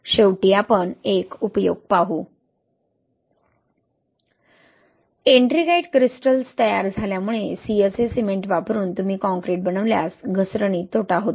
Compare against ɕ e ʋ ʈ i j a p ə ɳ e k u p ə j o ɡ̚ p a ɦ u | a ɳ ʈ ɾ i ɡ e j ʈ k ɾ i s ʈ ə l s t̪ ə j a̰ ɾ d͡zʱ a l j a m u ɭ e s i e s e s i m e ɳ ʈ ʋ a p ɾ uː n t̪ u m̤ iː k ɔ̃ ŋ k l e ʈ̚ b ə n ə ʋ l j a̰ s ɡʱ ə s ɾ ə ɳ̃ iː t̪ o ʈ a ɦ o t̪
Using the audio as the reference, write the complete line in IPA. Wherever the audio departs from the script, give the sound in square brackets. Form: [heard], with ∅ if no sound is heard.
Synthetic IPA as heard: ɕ e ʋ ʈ i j a p ə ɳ e k u p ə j o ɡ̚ p a ɦ u | [e] ɳ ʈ ɾ i ɡ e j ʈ k ɾ i s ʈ ə l s t̪ ə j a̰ ɾ d͡zʱ a l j a m u ɭ e s i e s e s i m e ɳ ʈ ʋ a p ɾ uː n t̪ u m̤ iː k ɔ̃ ŋ k [ɾ] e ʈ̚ b ə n ə ʋ l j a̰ s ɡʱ ə s ɾ ə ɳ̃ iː t̪ o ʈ a ɦ o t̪

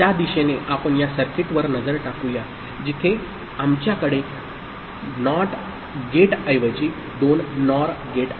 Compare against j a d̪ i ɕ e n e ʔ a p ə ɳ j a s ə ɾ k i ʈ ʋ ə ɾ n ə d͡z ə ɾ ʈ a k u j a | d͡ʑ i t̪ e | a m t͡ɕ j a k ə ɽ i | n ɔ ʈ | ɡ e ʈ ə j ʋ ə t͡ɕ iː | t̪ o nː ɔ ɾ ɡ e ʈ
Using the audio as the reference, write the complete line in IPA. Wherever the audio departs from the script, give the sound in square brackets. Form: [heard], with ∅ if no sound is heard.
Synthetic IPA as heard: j a d̪ i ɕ e n e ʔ a p ə ɳ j a s ə ɾ k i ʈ ʋ ə ɾ n ə d͡z ə ɾ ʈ a k u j a | d͡ʑ i [t̪ʰ] e | a m t͡ɕ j a k ə ɽ [e] | n ɔ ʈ | ɡ e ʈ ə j ʋ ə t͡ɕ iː | [d̪] o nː ɔ ɾ ɡ e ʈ

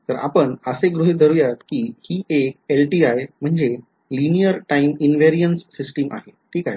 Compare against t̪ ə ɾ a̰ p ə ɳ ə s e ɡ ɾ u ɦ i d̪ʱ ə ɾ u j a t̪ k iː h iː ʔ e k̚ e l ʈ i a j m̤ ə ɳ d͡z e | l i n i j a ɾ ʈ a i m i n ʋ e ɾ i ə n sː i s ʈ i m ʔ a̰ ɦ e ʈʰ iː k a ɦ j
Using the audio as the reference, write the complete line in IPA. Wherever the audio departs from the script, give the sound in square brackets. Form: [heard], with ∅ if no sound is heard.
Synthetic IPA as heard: t̪ ə ɾ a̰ p ə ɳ ə s e ɡ ɾ u ɦ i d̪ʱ ə ɾ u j a t̪ k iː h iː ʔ e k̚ e l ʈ i a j m̤ ə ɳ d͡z e | l i n i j [ə] ɾ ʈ a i m i n ʋ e ɾ i ə n sː i s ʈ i m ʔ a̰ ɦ e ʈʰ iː k a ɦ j

